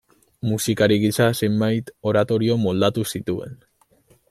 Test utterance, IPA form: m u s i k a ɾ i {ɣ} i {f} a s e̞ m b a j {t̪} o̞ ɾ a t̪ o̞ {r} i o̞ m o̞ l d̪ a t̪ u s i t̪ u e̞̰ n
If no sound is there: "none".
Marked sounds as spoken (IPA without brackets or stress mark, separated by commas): ɣ, s, t̪, ɾ